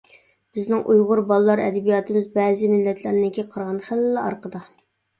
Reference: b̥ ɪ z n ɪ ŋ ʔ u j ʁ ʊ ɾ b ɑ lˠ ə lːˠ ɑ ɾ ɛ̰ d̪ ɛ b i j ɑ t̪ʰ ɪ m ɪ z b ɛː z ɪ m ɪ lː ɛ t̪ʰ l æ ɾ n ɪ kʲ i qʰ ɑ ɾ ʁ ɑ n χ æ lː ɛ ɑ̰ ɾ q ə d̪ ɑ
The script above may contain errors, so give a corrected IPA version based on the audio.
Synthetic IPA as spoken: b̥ ɪ z n ɪ ŋ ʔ u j ʁ ʊ ɾ b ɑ lˠ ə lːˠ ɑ ɾ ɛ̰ d̪ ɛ b i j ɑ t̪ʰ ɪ m ɪ z b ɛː z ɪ m ɪ lː ɛ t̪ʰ l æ ɾ n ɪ kʲ i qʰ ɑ ɾ ʁ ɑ n χ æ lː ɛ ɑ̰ ɾ q ə d̪ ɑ